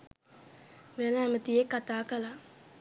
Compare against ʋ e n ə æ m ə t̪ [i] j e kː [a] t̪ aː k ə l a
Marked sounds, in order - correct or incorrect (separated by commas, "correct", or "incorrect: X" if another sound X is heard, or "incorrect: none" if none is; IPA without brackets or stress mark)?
correct, correct